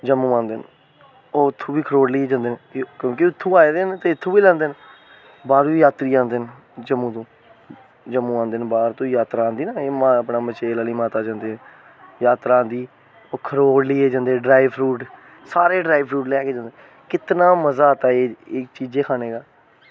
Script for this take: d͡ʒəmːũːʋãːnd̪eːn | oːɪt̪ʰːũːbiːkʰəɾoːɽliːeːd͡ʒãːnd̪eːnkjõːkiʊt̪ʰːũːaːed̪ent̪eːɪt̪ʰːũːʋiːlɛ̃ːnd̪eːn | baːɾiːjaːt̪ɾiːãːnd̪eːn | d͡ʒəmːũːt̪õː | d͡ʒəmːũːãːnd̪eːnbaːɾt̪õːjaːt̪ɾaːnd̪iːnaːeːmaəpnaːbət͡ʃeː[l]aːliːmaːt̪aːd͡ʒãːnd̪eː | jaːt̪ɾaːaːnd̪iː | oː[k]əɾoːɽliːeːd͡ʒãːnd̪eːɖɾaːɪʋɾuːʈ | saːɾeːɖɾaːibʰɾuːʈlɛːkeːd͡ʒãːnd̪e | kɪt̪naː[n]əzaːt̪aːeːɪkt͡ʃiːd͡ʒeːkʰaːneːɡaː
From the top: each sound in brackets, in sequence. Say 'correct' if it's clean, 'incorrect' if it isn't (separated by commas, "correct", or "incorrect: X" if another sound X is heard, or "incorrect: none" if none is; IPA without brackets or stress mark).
correct, incorrect: kʰ, incorrect: m